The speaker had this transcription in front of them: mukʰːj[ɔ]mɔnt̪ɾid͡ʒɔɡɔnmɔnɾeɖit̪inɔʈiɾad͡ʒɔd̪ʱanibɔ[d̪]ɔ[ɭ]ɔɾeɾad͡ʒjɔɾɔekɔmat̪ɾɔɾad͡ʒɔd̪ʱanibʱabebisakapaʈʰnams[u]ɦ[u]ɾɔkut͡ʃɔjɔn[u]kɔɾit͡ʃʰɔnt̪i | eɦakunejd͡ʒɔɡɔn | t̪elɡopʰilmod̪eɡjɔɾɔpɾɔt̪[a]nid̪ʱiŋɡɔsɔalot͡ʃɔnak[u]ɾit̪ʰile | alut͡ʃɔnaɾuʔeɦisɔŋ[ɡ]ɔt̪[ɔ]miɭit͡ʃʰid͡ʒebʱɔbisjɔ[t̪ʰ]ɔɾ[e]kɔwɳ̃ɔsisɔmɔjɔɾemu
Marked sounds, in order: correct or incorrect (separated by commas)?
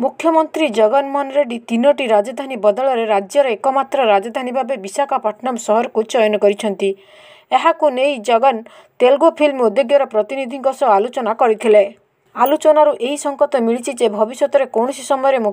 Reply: correct, correct, correct, incorrect, incorrect, incorrect, incorrect, incorrect, incorrect, correct, incorrect, correct